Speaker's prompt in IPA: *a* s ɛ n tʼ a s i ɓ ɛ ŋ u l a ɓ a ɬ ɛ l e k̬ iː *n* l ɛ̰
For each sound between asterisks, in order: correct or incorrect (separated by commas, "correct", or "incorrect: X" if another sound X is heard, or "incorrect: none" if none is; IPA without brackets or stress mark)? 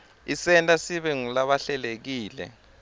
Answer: incorrect: i, incorrect: none